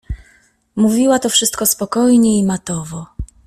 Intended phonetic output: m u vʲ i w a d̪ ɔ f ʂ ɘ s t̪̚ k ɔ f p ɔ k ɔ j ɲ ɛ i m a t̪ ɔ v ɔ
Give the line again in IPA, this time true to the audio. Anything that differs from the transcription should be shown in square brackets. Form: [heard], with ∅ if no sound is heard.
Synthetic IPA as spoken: m u vʲ i w a [t̪] ɔ f ʂ ɘ s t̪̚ k ɔ [s] p ɔ k ɔ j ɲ ɛ i m a t̪ ɔ v ɔ